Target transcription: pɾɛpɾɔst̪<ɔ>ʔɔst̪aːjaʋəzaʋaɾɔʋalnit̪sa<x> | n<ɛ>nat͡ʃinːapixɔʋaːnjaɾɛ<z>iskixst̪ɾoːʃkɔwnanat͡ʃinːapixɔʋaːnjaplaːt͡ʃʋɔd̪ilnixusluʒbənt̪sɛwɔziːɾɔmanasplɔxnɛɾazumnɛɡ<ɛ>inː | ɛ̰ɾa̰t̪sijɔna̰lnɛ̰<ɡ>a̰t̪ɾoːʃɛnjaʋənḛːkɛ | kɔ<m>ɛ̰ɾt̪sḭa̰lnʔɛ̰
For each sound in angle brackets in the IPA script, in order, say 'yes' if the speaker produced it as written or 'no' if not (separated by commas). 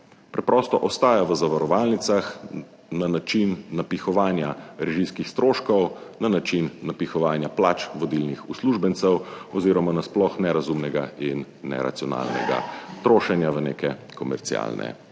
yes, yes, no, no, no, yes, yes